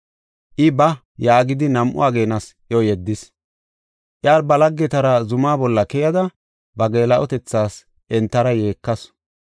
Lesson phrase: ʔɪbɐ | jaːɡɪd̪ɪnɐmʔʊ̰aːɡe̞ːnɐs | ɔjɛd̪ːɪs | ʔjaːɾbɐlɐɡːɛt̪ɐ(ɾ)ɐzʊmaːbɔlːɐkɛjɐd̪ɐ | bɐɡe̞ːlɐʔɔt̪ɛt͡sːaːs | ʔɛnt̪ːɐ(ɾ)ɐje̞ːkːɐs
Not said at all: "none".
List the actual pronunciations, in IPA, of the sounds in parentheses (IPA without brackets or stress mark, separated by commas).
ɾ, ɾ